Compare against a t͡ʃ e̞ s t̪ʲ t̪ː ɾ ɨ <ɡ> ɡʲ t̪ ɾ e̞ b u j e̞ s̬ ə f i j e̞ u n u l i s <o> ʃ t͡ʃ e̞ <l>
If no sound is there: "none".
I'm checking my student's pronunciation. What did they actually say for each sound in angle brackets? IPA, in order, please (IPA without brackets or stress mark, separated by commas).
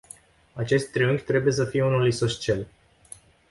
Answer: ŋ, o, l